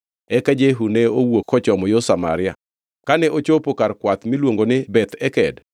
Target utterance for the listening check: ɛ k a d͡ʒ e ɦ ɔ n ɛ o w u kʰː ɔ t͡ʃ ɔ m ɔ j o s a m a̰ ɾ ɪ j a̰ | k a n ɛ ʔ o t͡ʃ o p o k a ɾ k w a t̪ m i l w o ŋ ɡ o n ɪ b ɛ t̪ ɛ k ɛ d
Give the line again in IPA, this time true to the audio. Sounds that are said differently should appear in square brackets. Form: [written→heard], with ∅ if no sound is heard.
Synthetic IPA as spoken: ɛ k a d͡ʒ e ɦ [ɔ→u] n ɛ o w [u→o] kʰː ɔ t͡ʃ ɔ m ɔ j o s a m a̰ ɾ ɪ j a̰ | k a n ɛ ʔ o t͡ʃ o p o k a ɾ k w a t̪ m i l w o ŋ ɡ o n ɪ b ɛ t̪ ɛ k ɛ d